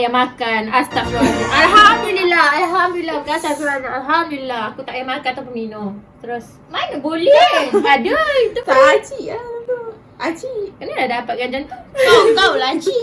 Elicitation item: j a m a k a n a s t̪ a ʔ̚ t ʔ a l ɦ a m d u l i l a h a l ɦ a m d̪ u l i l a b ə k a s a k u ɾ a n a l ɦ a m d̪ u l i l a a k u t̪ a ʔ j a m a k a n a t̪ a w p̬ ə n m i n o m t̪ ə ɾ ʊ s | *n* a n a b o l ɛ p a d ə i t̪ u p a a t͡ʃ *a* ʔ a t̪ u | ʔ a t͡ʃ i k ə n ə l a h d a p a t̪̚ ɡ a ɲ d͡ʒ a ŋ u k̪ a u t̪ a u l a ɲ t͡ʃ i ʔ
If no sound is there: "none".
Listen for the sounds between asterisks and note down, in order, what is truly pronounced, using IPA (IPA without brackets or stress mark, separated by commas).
m, i